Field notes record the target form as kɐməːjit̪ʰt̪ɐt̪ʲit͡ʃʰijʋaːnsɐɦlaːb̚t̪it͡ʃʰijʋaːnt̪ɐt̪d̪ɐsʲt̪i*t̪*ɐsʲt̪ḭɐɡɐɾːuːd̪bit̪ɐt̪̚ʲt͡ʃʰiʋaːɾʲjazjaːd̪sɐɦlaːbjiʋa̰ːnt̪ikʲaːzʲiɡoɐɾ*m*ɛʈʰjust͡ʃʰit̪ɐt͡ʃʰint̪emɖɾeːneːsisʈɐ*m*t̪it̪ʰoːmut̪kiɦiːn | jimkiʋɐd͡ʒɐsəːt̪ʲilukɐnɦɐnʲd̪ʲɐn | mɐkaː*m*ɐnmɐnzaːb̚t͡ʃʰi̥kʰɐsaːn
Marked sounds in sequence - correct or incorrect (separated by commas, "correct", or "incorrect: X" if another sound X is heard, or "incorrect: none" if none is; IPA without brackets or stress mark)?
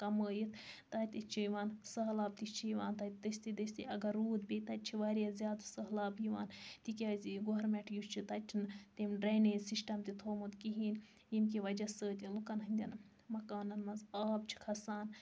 incorrect: d̪, correct, correct, incorrect: n